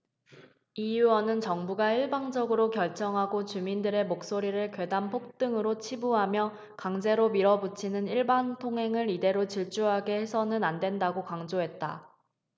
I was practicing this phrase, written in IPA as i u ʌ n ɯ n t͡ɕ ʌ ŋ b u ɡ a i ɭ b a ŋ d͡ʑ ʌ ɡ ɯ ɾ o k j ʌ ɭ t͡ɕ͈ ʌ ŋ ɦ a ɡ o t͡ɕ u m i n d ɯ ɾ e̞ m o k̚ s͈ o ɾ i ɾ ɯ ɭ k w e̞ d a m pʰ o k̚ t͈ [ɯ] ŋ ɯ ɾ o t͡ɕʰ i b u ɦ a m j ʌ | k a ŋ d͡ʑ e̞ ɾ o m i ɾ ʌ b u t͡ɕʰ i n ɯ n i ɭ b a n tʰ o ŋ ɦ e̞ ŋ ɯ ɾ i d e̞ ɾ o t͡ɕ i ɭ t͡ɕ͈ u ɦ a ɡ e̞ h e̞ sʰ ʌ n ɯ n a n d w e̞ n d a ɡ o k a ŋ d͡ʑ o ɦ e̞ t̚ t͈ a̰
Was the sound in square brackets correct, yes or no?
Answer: yes